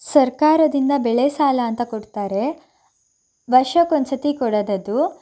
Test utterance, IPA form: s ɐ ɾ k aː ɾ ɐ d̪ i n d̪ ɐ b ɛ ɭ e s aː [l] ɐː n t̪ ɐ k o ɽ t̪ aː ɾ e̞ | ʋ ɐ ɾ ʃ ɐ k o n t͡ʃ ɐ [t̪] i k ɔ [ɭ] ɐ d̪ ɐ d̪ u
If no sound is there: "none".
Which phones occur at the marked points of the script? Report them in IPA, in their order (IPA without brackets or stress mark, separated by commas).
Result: l, t̪, ɽ